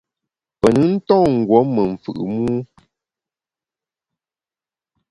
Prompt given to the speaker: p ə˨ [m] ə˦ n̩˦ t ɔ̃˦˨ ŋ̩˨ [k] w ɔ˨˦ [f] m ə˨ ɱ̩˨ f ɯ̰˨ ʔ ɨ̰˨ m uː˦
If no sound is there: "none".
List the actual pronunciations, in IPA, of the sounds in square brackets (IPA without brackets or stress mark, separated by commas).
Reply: n, ɡ, none